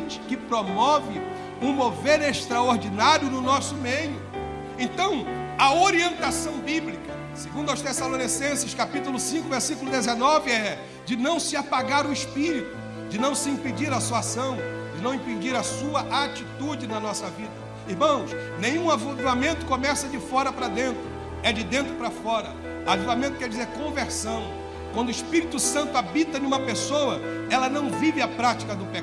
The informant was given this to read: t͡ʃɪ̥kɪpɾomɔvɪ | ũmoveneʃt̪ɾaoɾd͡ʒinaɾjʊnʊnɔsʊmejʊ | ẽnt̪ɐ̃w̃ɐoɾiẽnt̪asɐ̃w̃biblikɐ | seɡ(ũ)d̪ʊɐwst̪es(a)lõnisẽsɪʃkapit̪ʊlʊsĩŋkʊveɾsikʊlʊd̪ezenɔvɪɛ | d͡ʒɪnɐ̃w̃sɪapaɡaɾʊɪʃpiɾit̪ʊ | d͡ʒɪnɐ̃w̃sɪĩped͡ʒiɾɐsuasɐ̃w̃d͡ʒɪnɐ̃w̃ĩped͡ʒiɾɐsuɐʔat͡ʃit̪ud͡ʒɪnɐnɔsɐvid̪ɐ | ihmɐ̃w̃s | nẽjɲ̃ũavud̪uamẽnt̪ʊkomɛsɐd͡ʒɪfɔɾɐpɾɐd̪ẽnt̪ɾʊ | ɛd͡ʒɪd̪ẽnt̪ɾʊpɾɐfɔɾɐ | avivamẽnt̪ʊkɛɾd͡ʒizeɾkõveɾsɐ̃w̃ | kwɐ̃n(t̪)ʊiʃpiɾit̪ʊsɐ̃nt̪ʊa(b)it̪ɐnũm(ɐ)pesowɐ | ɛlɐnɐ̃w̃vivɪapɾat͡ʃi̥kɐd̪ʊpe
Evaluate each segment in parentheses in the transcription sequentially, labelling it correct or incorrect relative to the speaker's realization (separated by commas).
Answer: correct, correct, incorrect, correct, correct